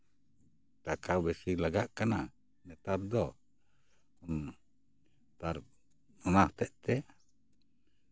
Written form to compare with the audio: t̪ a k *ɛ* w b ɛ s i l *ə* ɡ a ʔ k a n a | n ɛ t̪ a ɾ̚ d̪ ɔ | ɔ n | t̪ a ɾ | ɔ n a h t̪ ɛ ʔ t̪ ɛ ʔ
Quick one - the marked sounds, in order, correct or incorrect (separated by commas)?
incorrect, incorrect